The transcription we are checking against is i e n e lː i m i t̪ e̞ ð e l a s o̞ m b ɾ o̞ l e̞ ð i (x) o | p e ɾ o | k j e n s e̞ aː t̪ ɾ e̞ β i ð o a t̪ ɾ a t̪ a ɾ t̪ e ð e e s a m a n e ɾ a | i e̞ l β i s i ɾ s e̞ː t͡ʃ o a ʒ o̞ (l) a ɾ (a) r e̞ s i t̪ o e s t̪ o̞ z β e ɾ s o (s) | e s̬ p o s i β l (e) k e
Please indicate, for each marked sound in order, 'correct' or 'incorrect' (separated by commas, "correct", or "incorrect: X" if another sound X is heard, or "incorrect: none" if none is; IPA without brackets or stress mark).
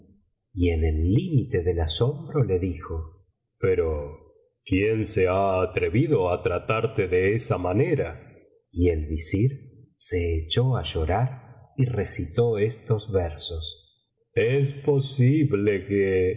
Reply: correct, incorrect: ɾ, incorrect: i, correct, correct